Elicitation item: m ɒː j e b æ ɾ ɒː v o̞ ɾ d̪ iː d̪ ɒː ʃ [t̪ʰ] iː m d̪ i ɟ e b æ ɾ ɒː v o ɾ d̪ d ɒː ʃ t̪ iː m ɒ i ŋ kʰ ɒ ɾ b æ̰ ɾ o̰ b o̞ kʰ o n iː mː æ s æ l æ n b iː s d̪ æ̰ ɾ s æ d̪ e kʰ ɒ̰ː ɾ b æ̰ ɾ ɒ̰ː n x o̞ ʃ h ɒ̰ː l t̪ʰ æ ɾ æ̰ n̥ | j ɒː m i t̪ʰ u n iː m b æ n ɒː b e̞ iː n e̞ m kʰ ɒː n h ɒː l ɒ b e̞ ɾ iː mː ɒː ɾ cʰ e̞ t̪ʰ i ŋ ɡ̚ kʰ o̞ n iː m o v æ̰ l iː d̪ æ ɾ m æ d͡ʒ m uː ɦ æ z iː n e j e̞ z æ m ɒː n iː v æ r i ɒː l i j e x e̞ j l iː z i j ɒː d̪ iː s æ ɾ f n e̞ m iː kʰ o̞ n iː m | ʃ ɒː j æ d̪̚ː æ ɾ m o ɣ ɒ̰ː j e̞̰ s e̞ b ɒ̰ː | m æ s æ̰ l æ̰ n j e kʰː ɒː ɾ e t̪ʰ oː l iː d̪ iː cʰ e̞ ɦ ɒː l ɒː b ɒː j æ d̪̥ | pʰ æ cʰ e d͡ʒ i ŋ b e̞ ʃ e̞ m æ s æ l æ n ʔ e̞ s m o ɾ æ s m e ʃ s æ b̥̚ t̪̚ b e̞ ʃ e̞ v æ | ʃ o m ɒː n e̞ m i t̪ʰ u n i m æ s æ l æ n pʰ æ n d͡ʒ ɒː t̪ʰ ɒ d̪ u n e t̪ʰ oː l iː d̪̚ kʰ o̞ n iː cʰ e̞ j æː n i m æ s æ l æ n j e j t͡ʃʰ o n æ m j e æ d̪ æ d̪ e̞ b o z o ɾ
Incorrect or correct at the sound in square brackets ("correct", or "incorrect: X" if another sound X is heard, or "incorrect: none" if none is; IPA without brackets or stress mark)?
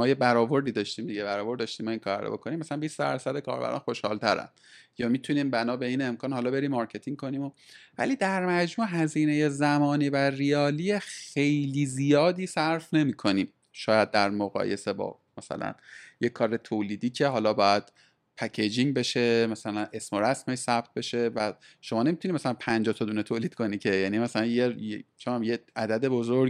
incorrect: t̪